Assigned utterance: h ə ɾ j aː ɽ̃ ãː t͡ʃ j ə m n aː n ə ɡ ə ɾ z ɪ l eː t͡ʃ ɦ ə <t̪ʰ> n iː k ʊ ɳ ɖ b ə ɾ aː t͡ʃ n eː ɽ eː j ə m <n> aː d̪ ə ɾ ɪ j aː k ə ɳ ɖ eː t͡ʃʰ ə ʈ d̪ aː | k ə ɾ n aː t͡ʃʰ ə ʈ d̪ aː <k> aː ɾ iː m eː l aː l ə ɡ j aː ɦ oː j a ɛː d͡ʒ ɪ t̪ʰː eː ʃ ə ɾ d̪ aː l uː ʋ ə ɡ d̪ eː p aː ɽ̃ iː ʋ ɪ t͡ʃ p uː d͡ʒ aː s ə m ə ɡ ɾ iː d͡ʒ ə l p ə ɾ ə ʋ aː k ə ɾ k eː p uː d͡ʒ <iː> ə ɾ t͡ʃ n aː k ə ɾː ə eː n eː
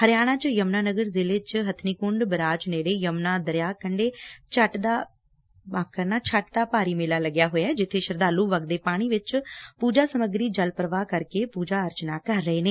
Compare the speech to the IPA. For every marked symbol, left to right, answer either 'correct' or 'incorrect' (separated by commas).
correct, correct, incorrect, incorrect